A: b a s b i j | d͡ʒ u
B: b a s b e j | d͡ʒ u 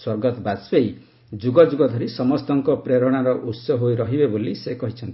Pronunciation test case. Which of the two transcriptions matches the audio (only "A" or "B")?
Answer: B